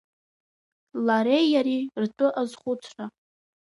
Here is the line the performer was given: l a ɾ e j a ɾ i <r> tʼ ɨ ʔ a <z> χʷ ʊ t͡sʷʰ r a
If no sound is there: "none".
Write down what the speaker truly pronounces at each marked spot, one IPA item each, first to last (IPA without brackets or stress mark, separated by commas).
r, z